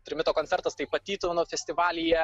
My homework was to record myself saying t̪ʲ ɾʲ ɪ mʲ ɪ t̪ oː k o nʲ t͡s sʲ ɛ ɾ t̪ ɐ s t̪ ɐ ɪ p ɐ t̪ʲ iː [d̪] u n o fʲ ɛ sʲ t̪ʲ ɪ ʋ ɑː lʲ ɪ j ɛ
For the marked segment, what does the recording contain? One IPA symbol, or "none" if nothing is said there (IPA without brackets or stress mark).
t̪